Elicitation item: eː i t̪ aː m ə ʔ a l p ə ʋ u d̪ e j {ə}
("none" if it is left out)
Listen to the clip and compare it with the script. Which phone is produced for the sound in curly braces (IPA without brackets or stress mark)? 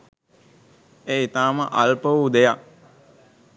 a